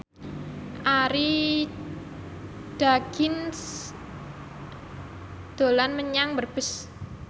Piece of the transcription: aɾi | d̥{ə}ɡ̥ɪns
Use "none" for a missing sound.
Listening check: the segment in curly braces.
a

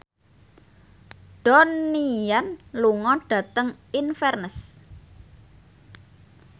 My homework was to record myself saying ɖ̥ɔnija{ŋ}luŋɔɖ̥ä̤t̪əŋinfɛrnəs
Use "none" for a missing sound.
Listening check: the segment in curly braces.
n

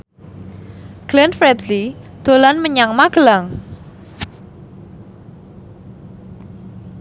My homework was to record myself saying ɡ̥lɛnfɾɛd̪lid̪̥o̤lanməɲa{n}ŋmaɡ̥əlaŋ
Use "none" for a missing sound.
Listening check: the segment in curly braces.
none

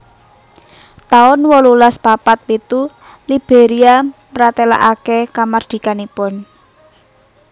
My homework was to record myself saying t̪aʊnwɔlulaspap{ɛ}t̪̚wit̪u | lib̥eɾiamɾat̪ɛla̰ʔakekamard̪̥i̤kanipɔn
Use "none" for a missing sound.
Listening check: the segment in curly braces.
a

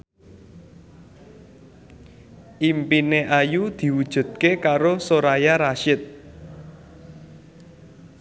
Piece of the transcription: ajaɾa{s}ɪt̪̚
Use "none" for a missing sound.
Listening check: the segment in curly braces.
ʃ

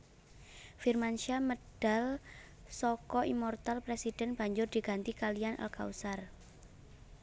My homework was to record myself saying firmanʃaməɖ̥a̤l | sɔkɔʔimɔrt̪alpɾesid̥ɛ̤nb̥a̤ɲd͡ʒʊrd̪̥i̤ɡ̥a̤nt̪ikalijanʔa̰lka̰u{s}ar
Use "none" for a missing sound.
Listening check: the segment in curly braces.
s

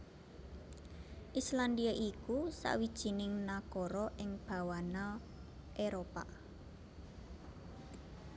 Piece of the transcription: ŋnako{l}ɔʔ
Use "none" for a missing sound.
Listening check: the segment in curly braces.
ɾ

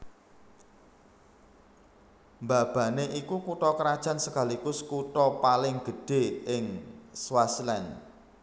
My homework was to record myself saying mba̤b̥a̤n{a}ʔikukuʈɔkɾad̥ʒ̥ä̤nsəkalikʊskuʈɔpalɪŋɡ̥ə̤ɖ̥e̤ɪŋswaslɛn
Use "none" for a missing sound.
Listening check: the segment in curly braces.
e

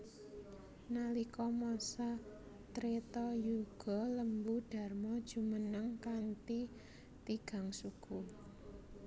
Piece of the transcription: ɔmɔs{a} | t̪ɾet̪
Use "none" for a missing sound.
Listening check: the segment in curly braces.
a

